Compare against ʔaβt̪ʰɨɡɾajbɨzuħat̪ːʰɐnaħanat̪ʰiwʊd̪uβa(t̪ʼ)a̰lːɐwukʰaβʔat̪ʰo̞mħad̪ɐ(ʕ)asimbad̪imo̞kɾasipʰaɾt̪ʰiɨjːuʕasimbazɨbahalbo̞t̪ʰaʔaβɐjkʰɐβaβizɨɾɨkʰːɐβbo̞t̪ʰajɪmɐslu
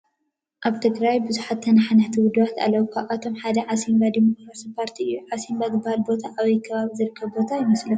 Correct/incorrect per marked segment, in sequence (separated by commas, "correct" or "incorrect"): incorrect, correct